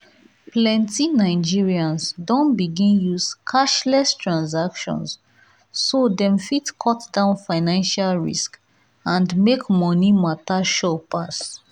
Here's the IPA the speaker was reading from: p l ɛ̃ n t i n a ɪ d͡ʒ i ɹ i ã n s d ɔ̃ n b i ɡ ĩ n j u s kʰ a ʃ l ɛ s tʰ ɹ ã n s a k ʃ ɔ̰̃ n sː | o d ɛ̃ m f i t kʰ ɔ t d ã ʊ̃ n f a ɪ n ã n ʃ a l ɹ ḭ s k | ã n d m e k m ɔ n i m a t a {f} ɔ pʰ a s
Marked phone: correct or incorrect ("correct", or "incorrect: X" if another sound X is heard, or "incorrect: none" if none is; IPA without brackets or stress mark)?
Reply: incorrect: ʃ